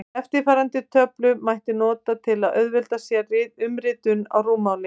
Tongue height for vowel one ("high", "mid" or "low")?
mid